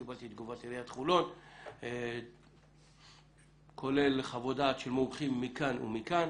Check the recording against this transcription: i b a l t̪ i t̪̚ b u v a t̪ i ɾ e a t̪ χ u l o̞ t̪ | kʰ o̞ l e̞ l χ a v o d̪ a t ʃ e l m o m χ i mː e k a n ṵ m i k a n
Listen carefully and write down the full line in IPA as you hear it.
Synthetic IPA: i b a l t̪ i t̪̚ ɡ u v a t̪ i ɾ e a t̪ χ u l o̞ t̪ | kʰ o̞ l e̞ l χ a v o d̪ a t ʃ e l m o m χ i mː i k a n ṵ m i k a n